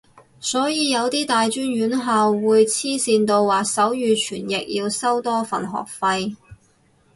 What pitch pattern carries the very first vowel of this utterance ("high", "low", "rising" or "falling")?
rising